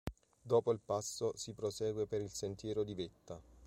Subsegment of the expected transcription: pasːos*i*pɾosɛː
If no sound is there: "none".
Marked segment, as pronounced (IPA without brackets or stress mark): i